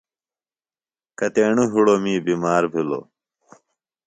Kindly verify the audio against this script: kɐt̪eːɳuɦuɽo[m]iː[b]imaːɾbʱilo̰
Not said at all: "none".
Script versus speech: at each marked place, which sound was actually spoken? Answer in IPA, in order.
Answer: m, b

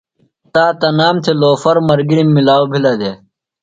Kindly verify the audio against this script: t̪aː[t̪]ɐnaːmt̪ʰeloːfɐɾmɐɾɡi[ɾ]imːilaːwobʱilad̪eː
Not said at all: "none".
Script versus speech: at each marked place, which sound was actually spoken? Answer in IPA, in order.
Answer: t̪, ɾ

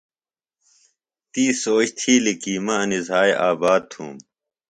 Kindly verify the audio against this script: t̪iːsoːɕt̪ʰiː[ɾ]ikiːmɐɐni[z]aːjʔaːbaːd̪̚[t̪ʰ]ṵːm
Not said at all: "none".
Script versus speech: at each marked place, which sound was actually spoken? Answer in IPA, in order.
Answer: l, z, t̪ʰ

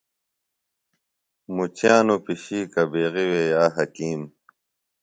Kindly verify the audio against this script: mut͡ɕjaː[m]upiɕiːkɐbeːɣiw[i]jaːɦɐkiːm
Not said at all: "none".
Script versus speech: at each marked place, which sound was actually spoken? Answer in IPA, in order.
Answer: n, e

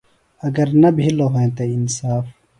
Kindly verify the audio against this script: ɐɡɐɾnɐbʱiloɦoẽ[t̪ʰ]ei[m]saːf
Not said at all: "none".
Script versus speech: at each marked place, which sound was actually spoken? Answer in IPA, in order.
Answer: t̪, n

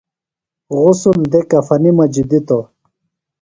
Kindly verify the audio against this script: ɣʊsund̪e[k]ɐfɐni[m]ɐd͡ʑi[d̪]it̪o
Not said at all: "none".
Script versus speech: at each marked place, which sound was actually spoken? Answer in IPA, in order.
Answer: k, m, d̪

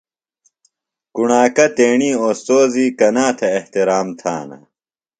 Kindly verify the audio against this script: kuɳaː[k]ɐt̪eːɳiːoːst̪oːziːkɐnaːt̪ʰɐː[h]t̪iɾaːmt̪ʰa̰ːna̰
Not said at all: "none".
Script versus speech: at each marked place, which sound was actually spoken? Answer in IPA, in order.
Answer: k, h

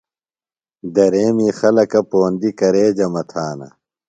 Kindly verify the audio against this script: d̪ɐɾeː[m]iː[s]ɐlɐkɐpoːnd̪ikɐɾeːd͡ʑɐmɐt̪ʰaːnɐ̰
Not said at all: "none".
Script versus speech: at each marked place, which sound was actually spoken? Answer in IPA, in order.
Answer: m, x

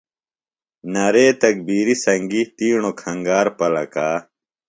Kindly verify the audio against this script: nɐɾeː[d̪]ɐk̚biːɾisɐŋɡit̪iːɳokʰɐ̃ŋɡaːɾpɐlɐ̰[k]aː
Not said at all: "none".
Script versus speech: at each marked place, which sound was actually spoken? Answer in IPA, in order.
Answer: t̪, k

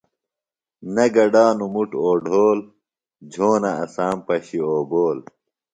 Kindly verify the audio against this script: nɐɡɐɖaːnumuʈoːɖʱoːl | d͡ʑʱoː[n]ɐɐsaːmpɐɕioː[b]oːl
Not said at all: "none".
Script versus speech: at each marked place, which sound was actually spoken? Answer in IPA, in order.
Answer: n, b

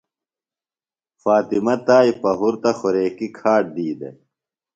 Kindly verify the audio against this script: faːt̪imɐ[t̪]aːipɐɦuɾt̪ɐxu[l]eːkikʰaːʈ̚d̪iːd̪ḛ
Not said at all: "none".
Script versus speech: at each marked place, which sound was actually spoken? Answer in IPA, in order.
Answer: t̪, ɾ

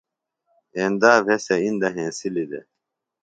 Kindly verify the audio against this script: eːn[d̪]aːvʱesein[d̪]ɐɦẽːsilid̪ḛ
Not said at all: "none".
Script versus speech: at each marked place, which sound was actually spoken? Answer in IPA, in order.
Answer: d̪, d̪

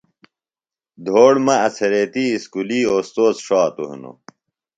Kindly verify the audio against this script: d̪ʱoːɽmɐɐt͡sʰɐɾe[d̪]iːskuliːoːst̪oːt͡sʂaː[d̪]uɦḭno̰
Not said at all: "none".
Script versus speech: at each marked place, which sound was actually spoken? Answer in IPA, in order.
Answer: t̪, t̪

